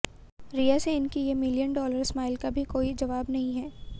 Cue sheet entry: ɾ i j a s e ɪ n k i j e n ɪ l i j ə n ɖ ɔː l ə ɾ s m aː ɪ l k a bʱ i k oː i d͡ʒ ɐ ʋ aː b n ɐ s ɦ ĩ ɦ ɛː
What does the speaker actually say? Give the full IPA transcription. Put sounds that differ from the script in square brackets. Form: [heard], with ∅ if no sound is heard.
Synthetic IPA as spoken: ɾ i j a s e ɪ n k i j e [m] ɪ l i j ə n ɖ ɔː l ə ɾ s m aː ɪ l k a bʱ i k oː i d͡ʒ ɐ ʋ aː b n ɐ [∅] ɦ ĩ ɦ ɛː